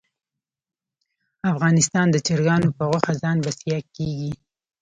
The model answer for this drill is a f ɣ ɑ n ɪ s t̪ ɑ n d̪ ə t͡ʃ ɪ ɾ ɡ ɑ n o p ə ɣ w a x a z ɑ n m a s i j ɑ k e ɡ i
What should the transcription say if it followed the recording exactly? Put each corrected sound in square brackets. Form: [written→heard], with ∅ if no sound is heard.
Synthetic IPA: a f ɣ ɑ n ɪ s t̪ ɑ n d̪ ə t͡ʃ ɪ ɾ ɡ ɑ n o p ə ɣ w a x a z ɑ n [m→b] a s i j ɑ k e ɡ i

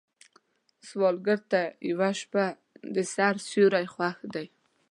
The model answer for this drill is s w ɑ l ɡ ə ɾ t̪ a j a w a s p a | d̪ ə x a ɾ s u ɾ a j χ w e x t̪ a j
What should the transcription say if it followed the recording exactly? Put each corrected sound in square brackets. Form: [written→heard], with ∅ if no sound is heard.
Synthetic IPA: s w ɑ l ɡ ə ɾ t̪ a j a w a [s→ʃ] p a | d̪ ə [x→s] a ɾ s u ɾ a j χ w [e→a] x [t̪→d̪] a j

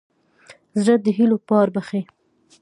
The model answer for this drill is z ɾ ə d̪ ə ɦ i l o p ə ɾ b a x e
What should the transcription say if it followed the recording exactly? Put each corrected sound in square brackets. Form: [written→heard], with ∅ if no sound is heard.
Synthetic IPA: z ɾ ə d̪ ə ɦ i l o p [ə→ɑ] ɾ b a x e

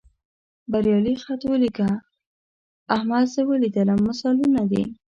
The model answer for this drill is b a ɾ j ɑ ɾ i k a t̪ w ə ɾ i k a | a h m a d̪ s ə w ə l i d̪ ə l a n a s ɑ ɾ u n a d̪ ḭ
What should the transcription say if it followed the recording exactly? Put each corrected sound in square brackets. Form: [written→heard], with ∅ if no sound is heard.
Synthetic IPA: b a ɾ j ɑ [ɾ→l] i [k→x] a t̪ w ə [ɾ→l] i k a | a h m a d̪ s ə w ə l i d̪ ə l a [n→m] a s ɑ [ɾ→l] u n a d̪ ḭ

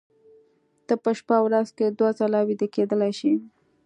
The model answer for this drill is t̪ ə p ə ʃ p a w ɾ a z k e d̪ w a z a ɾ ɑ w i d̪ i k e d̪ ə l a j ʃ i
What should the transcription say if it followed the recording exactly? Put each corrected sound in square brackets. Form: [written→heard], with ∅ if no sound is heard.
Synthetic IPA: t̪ ə p ə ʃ p a w ɾ a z k e d̪ w a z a [ɾ→l] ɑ w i d̪ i k e d̪ ə l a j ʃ i

